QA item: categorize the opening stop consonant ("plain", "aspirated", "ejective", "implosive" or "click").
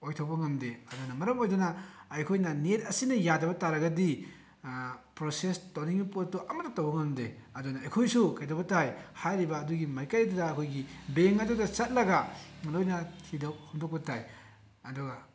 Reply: aspirated